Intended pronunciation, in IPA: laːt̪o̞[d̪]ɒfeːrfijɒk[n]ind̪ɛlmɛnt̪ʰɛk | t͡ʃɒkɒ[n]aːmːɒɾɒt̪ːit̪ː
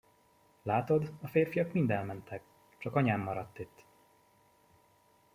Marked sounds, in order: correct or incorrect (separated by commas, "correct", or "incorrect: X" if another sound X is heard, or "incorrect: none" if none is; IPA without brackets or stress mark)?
correct, incorrect: m, incorrect: ɲ